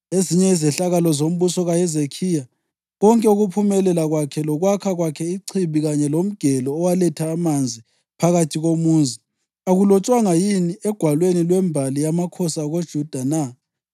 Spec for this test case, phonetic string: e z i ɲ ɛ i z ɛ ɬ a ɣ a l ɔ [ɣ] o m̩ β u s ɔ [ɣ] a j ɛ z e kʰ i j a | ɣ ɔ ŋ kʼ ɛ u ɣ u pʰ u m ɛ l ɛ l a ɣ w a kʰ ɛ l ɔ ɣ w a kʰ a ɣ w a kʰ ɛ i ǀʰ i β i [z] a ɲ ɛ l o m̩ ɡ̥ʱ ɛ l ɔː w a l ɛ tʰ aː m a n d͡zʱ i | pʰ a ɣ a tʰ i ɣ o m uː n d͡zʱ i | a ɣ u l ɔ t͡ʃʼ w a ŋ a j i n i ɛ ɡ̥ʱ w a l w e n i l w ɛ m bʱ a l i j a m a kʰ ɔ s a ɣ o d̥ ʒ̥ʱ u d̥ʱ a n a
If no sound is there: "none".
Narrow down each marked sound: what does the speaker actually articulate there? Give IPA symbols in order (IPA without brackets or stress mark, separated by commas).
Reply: z, ɣ, ɣ